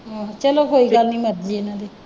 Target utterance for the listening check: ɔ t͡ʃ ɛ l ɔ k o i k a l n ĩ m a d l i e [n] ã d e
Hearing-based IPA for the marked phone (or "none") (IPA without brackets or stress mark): n